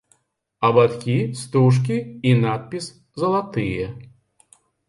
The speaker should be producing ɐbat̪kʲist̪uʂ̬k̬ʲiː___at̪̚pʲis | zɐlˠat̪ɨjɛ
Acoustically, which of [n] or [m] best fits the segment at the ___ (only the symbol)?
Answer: n